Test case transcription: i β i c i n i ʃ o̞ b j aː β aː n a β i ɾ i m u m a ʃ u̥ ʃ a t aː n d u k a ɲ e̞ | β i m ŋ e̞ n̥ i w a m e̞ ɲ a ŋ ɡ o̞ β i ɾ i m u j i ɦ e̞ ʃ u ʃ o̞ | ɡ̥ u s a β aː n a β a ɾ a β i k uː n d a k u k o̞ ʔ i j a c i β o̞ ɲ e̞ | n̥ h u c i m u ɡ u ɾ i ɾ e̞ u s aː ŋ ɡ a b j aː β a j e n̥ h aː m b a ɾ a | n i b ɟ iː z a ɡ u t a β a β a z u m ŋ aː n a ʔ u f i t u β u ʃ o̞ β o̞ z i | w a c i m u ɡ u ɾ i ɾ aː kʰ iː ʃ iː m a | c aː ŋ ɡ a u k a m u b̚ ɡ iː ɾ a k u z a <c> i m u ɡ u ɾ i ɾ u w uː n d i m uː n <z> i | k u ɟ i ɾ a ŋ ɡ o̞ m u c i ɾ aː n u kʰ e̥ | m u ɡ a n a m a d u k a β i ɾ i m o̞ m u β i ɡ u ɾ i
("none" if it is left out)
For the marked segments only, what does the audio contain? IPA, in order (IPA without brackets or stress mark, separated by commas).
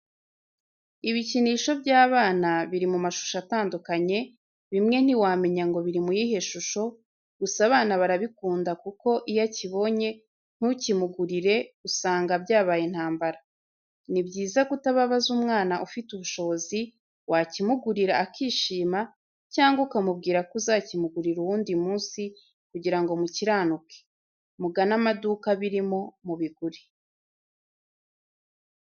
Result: c, s